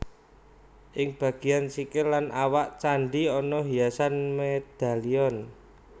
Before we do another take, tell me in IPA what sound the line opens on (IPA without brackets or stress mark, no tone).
ʔ